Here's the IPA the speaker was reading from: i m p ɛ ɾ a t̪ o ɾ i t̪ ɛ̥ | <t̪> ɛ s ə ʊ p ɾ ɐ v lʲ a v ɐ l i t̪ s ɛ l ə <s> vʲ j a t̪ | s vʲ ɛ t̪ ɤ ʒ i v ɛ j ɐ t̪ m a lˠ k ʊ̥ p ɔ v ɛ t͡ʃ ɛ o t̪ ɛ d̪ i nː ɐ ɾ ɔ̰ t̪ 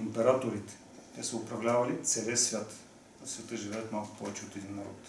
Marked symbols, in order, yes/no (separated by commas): yes, yes